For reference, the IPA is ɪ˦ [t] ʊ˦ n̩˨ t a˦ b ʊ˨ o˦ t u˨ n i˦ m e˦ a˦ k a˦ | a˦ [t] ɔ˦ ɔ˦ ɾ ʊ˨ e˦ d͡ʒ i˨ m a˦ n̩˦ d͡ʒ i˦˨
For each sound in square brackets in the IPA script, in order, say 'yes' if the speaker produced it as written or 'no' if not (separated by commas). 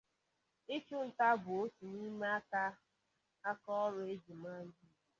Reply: no, no